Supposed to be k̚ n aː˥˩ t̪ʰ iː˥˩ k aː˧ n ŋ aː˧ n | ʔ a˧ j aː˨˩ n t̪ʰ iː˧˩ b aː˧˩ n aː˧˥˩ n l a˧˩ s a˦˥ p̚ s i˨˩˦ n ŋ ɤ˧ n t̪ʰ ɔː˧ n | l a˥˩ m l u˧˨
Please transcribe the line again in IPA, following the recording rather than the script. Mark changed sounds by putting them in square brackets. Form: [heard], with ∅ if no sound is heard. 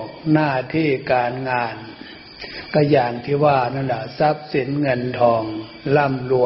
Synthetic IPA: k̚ n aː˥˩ t̪ʰ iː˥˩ k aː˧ n ŋ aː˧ n | [k] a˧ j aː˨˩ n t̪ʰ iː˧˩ [w] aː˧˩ n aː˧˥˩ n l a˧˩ s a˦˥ p̚ s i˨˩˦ n ŋ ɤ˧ n t̪ʰ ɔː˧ [ŋ] | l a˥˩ m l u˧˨